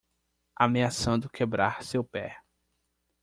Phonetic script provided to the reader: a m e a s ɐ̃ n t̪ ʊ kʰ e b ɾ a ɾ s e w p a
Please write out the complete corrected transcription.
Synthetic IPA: a m e a s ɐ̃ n d̪ ʊ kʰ e b ɾ a ɾ s e w p ɛ